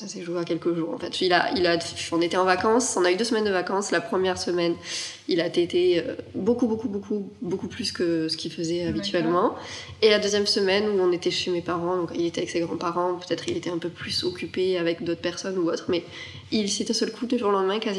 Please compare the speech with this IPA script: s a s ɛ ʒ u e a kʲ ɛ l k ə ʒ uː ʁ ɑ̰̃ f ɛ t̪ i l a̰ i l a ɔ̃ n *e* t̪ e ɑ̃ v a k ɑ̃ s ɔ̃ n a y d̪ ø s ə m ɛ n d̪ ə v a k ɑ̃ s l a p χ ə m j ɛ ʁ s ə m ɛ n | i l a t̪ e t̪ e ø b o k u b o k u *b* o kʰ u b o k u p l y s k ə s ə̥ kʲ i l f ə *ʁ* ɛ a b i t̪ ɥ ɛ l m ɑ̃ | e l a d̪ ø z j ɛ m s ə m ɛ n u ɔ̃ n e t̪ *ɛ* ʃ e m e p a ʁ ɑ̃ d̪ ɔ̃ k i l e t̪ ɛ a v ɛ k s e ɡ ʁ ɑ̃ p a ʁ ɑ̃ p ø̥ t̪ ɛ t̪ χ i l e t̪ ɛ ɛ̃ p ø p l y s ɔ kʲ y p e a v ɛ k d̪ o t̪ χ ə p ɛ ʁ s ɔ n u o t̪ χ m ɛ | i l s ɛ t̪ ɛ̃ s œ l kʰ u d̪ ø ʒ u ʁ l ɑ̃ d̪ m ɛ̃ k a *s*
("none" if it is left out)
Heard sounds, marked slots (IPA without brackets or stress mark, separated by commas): e, b, z, ɛ, z